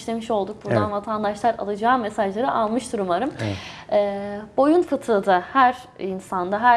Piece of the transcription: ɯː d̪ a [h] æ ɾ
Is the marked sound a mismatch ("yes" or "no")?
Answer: no